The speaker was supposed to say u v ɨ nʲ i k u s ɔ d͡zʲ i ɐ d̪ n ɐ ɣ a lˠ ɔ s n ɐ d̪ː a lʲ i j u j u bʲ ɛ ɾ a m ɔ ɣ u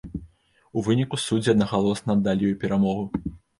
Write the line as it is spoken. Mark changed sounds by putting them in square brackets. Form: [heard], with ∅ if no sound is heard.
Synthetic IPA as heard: u v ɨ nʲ i k u s [u] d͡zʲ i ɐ d̪ n ɐ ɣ a lˠ ɔ s n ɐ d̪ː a lʲ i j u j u [pʲ] ɛ ɾ a m ɔ ɣ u